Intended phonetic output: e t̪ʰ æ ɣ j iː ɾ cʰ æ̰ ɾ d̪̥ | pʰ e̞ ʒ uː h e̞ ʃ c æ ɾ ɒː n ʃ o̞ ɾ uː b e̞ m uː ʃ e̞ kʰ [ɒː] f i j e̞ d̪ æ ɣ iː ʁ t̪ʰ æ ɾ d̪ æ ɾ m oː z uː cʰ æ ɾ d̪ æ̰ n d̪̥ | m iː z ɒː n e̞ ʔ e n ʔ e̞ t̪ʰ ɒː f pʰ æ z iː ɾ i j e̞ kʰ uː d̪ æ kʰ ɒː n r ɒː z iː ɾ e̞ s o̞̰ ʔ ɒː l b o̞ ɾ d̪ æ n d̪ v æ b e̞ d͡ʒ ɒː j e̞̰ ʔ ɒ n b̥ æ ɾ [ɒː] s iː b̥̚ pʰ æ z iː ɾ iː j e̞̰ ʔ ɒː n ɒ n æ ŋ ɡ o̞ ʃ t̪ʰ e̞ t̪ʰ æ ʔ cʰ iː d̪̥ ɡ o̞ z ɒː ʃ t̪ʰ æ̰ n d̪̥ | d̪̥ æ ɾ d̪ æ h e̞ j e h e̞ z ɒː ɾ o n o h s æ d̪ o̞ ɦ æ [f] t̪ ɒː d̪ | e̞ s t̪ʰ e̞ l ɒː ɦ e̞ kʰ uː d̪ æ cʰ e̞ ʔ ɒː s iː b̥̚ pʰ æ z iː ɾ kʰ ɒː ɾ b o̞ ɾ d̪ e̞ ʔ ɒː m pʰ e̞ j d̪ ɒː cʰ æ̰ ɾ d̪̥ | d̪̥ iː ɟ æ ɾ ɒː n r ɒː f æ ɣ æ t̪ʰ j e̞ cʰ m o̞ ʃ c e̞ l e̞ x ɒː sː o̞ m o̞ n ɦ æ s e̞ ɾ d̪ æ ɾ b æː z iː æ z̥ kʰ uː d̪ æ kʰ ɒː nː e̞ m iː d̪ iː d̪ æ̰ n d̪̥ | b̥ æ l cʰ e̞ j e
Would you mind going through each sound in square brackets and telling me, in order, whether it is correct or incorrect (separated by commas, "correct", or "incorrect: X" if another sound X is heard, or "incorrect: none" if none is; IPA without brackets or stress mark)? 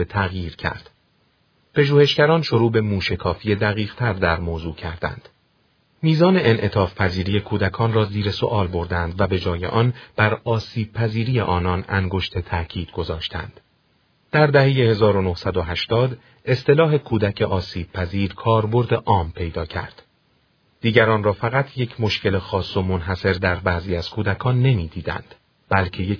correct, correct, incorrect: ʃ